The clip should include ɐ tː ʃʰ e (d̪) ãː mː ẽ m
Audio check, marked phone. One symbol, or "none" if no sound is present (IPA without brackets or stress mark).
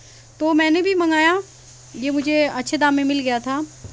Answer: d̪